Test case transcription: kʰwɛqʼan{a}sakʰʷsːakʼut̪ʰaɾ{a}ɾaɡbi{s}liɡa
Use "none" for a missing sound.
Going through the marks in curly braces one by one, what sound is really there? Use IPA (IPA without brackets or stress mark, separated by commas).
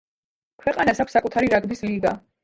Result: a, i, s